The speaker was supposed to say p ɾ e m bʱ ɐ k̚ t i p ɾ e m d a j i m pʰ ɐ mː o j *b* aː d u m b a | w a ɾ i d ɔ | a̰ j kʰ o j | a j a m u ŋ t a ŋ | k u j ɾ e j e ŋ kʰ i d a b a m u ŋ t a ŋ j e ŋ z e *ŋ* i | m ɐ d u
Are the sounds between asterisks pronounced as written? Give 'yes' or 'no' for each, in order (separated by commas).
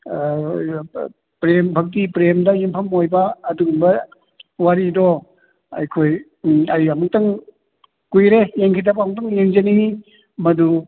yes, no